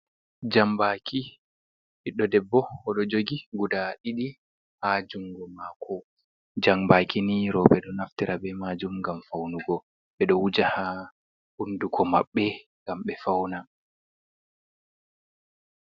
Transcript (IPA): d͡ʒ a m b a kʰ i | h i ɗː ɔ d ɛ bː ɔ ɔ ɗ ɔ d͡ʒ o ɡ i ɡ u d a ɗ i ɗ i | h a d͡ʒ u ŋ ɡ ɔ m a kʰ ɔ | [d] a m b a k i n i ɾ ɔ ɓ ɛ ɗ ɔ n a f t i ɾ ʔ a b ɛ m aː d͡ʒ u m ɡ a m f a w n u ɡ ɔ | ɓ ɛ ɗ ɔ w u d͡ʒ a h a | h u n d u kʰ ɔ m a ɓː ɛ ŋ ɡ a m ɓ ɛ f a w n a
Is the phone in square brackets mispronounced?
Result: yes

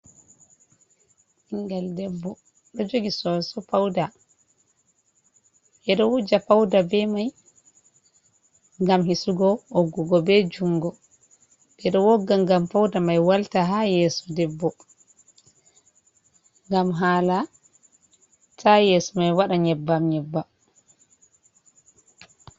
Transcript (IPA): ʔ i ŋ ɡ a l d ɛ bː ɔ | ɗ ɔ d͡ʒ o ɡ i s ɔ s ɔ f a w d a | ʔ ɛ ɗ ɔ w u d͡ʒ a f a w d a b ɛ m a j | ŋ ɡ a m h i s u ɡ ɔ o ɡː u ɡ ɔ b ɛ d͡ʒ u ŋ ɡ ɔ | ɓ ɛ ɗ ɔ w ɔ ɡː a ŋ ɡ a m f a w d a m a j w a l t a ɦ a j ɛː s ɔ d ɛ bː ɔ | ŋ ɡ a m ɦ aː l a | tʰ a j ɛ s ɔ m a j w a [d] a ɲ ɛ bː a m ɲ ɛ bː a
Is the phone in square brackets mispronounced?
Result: yes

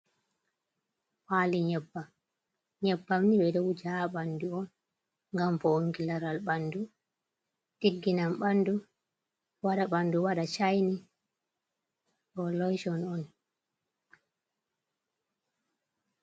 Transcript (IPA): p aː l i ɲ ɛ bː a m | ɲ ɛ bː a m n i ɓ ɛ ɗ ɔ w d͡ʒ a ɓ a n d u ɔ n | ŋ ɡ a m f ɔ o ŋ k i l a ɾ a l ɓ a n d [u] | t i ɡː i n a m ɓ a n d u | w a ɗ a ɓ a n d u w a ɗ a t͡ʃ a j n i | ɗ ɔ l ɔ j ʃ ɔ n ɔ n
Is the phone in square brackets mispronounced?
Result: no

